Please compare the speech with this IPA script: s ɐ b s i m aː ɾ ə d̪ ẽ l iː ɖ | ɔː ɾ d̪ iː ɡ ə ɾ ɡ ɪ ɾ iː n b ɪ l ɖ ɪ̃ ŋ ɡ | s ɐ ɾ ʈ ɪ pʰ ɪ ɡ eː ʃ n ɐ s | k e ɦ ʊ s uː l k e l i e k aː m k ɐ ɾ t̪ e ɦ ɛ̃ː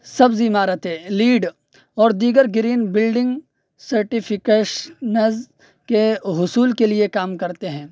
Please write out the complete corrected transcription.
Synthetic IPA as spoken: s ɐ b z i m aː ɾ ə t̪ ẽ l iː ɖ | ɔː ɾ d̪ iː ɡ ə ɾ ɡ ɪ ɾ iː n b ɪ l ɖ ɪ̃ ŋ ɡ | s ɐ ɾ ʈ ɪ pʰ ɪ k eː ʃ n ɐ z | k e ɦ ʊ s uː l k e l i e k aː m k ɐ ɾ t̪ e ɦ ɛ̃ː